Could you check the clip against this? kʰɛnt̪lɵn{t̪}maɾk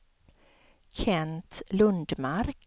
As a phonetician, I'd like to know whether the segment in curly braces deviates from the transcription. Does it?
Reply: yes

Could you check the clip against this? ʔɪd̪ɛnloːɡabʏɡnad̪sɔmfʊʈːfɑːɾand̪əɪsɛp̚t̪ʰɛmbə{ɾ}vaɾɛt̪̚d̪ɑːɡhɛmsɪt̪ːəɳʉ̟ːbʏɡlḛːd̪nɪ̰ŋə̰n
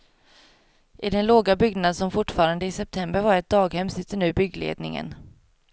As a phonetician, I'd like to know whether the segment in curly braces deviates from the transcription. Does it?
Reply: no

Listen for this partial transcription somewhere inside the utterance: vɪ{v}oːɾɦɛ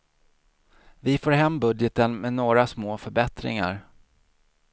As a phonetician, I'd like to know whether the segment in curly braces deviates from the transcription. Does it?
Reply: yes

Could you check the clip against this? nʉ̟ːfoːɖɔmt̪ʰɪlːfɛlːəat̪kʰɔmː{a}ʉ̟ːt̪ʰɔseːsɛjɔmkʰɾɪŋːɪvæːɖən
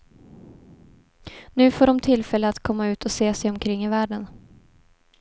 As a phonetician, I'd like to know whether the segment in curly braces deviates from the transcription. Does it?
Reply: no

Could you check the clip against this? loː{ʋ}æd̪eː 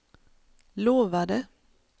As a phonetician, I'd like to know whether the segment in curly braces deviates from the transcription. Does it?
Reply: no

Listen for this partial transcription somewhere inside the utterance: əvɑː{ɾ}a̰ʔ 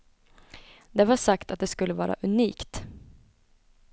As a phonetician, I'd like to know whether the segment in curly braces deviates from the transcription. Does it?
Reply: no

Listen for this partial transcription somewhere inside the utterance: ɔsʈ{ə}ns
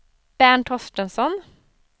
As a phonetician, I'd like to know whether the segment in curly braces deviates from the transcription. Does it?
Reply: no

